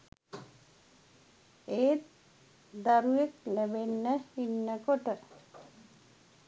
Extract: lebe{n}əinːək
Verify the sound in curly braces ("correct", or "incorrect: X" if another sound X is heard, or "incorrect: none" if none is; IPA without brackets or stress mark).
incorrect: nː